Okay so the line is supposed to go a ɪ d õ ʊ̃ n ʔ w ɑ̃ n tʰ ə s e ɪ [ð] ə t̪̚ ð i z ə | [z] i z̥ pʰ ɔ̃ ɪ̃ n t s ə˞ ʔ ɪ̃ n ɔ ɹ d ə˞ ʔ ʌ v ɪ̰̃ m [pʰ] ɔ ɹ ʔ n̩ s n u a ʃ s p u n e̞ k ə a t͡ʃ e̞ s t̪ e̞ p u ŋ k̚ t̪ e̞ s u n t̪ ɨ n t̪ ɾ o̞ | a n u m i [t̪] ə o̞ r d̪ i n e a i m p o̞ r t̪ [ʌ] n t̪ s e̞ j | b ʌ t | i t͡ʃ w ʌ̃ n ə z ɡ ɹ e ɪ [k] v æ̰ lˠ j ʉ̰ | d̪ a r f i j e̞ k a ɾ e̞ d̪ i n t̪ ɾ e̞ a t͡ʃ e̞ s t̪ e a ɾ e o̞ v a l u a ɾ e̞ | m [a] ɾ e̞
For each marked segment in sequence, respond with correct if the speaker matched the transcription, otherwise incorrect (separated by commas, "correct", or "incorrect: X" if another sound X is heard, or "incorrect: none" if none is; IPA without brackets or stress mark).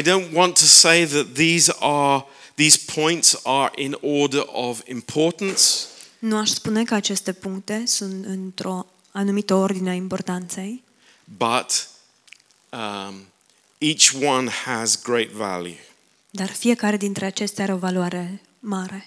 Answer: correct, incorrect: ð, correct, correct, incorrect: a, incorrect: t, correct